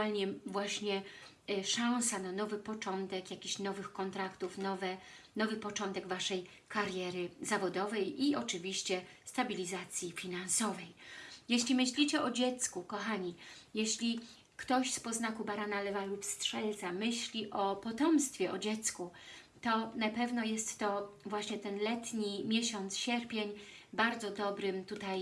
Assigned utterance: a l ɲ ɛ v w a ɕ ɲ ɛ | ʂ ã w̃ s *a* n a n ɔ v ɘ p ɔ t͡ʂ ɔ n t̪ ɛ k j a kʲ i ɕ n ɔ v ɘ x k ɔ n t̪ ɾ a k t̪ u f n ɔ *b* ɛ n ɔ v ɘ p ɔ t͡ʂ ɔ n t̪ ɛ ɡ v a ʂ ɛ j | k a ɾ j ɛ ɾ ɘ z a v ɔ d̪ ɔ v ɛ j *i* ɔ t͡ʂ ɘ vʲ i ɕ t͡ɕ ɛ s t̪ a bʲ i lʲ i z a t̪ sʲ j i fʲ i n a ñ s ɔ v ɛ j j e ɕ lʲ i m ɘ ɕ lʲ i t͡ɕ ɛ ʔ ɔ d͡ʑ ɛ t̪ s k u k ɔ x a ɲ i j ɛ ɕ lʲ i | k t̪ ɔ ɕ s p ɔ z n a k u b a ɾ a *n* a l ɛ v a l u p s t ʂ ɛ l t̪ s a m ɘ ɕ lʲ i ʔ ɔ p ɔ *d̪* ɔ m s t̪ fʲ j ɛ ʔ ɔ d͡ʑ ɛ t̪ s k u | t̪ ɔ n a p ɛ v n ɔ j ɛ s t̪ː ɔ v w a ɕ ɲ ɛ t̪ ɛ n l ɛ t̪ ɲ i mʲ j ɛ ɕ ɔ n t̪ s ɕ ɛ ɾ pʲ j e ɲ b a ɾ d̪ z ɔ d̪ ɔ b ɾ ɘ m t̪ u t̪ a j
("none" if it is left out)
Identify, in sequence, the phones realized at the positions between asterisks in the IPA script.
a, v, i, n, t̪

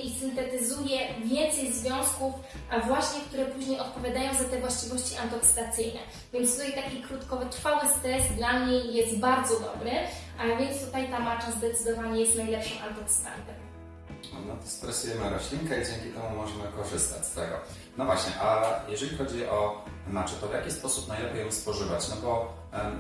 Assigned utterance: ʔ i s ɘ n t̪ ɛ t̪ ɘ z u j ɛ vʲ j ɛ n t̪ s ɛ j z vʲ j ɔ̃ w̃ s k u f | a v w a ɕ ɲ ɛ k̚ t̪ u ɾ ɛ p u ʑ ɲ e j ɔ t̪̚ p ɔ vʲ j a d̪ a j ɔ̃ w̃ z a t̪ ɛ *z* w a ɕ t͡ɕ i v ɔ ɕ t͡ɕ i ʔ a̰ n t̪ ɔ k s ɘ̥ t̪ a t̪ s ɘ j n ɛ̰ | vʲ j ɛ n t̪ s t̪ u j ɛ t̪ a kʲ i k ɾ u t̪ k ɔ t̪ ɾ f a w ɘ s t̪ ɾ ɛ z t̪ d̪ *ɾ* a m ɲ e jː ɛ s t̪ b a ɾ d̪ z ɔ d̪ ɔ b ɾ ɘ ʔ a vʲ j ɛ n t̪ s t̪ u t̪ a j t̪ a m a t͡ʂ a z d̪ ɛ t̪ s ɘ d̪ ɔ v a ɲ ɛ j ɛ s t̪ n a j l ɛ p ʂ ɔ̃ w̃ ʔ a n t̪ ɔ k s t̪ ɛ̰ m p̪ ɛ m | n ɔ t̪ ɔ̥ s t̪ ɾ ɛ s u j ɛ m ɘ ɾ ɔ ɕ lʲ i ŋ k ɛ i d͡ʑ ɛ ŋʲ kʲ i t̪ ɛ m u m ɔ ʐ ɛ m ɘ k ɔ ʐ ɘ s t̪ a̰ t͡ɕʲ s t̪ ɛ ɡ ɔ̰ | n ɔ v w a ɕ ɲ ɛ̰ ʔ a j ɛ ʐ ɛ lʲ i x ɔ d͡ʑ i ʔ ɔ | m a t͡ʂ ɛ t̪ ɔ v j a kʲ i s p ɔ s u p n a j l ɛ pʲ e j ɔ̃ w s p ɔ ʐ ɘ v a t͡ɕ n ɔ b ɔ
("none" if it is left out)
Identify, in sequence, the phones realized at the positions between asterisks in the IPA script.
v, l

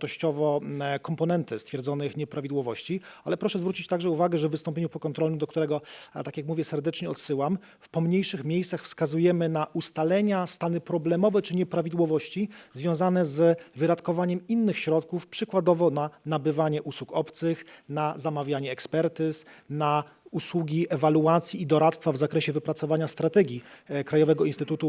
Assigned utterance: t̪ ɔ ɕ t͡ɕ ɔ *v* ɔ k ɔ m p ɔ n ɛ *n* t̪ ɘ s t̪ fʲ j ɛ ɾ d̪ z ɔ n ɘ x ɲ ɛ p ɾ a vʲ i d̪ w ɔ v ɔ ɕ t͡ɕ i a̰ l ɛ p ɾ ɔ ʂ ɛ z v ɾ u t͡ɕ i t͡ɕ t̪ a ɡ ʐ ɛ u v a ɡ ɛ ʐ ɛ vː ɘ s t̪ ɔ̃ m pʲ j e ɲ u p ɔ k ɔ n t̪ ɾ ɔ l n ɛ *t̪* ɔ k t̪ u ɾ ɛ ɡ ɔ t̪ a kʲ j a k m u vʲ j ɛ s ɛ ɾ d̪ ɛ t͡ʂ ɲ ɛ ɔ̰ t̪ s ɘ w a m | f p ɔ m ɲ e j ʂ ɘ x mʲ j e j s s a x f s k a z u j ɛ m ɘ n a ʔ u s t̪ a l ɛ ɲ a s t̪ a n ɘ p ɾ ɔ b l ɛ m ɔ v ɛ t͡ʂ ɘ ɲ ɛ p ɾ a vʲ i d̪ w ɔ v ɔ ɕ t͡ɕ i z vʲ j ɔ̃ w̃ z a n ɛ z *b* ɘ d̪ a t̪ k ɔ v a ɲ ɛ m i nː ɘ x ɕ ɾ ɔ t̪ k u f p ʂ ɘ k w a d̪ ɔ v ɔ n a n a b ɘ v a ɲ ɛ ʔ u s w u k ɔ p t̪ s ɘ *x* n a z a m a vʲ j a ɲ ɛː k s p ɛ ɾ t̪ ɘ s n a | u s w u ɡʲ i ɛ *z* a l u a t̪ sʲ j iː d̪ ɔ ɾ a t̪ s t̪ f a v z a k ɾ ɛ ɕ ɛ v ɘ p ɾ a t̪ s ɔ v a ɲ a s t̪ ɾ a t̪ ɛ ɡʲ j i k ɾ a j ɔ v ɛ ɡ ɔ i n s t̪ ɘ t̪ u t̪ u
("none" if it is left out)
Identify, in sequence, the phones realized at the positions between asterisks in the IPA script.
v, n, d̪, v, x, v

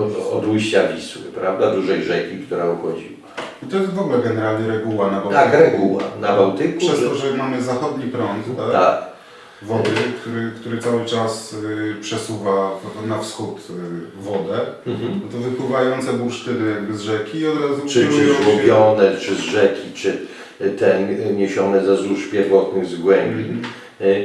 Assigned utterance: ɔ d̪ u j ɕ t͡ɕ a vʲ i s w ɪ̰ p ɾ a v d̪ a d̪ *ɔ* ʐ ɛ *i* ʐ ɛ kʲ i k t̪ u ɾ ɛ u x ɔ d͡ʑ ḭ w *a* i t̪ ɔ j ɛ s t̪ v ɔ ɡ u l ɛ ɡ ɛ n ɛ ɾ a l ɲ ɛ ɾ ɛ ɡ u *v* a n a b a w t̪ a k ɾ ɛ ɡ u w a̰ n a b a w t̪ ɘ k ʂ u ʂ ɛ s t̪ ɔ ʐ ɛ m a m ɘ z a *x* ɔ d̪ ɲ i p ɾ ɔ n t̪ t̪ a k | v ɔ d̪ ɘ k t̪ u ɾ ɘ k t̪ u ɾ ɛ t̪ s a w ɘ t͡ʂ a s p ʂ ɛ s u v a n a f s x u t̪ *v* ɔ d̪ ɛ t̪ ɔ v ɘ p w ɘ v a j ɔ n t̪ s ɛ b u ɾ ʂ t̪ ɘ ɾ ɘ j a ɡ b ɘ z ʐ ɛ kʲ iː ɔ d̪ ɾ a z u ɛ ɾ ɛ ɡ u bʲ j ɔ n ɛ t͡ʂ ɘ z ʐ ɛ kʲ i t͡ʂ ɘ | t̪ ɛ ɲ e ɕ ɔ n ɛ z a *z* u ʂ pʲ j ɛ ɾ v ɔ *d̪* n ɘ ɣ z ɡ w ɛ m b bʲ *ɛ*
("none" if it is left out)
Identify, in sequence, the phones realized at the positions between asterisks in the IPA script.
u, j, a, w, x, v, z, t̪, i

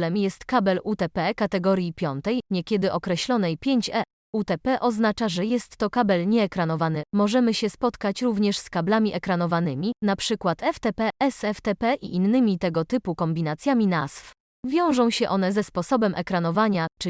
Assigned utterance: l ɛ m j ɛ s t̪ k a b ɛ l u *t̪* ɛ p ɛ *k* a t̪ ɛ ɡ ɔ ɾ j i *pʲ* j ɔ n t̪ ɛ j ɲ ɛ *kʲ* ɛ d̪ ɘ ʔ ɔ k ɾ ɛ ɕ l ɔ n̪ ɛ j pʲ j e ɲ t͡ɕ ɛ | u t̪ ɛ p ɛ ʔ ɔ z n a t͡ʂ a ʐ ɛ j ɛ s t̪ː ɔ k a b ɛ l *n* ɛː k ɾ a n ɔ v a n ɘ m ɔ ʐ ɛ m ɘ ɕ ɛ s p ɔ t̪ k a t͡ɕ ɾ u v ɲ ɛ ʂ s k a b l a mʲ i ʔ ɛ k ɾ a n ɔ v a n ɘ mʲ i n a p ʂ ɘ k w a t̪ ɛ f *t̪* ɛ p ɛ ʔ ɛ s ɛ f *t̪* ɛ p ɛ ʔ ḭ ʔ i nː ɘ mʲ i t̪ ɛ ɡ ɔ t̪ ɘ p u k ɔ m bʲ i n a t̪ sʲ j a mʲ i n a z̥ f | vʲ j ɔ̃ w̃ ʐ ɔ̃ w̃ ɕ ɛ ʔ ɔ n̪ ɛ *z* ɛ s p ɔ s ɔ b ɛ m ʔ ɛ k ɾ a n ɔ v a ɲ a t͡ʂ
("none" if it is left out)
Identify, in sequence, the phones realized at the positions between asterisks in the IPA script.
t̪, k, pʲ, kʲ, ɲ, t̪, t̪, z

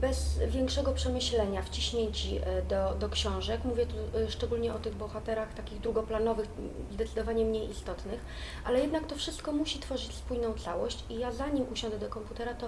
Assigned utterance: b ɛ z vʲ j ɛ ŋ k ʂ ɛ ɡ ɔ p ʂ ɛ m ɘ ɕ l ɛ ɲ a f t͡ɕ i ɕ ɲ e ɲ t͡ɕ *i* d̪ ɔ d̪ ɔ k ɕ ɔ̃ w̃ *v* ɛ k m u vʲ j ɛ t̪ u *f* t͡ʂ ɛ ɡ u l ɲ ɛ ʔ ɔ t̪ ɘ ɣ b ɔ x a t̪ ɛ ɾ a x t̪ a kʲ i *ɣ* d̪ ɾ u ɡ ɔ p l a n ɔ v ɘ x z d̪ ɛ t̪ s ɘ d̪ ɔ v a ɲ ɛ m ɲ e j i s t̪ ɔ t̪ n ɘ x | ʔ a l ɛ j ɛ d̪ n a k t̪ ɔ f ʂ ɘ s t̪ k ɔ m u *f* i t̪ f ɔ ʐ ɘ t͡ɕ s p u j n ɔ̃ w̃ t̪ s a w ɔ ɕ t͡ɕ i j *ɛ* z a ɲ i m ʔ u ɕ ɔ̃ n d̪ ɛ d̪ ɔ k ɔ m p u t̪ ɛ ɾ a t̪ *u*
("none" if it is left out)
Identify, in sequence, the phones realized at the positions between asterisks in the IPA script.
i, ʐ, ʂ, ɣ, ɕ, a, ɔ

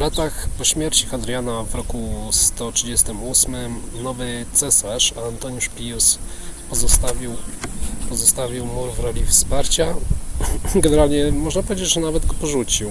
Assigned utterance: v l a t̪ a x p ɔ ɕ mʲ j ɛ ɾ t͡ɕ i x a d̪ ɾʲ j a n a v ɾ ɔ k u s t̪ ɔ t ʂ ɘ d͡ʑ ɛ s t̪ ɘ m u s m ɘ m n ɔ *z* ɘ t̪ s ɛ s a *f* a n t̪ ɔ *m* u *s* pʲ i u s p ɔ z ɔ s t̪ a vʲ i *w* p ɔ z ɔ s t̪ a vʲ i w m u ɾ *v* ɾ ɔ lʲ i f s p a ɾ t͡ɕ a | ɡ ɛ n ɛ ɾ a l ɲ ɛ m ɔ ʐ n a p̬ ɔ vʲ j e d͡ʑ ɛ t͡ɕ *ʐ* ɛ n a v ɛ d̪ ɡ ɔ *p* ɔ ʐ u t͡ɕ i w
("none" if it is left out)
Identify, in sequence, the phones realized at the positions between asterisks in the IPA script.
v, ʂ, ɲ, ʂ, w, v, ʐ, p

